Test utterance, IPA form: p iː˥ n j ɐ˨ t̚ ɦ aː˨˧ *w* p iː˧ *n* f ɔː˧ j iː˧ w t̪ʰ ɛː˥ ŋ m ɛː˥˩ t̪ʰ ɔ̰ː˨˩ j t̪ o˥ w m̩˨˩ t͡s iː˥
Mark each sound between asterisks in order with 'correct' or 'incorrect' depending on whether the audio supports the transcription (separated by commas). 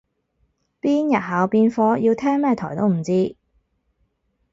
correct, correct